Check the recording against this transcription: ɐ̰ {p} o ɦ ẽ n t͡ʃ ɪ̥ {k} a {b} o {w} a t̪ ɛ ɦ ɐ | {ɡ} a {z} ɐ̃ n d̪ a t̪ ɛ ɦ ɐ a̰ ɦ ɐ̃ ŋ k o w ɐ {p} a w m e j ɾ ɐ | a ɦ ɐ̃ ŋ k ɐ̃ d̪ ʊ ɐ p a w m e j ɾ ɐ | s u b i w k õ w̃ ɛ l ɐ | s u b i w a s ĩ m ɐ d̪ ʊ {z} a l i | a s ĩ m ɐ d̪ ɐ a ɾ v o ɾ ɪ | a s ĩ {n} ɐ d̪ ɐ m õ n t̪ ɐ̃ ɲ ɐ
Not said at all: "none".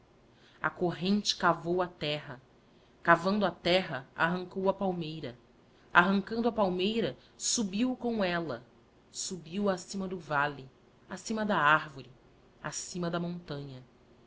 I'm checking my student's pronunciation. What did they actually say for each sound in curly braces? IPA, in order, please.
k, k, v, w, k, v, p, v, m

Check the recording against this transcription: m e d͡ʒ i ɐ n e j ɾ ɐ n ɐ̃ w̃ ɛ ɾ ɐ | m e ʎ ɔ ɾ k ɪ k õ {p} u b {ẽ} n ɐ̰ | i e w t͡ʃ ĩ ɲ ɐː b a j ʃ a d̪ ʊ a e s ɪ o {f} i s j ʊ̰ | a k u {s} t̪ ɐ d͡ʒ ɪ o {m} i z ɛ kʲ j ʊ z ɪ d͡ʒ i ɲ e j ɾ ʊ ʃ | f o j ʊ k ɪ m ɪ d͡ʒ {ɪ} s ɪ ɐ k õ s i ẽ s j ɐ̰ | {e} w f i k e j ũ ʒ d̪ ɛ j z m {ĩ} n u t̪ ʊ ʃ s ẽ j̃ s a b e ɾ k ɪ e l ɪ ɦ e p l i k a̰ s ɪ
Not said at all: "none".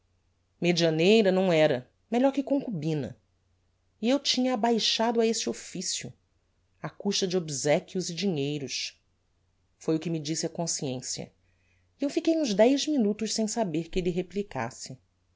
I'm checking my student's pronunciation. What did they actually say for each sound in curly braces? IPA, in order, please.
k, ĩ, f, ʃ, b, i, e, i

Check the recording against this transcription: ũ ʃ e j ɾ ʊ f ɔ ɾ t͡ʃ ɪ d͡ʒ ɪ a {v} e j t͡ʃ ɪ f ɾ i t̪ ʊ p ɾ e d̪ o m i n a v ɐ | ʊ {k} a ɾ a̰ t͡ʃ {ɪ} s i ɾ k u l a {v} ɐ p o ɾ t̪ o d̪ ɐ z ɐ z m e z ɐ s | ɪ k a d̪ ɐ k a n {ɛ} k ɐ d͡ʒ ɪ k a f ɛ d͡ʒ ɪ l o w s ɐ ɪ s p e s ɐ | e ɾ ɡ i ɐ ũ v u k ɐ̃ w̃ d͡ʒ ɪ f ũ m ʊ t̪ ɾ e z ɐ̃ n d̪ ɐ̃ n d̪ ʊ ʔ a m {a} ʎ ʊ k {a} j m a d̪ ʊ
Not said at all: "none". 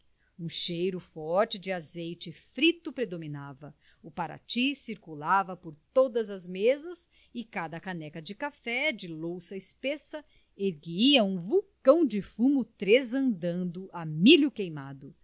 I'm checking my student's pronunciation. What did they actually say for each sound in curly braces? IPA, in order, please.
z, p, i, v, ɛ, i, e

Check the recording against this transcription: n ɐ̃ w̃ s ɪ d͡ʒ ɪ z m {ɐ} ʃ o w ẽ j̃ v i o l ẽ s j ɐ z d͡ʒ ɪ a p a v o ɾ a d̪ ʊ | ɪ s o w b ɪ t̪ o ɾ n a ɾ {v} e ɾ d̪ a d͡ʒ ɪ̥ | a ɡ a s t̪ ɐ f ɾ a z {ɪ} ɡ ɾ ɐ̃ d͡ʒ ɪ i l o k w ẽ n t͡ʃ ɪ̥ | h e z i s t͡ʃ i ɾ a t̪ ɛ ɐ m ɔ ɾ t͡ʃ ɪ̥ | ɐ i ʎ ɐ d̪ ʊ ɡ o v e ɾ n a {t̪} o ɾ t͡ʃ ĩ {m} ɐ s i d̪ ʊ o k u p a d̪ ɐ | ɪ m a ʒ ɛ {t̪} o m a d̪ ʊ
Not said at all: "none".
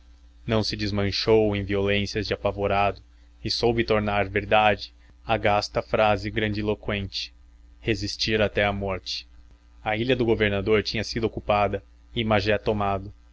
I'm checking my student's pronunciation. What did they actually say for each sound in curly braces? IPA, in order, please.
ɐ̃, v, ɪ, d̪, ɲ, t̪

